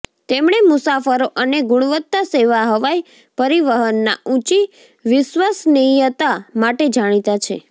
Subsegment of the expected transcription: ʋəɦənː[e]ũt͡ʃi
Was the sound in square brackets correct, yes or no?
no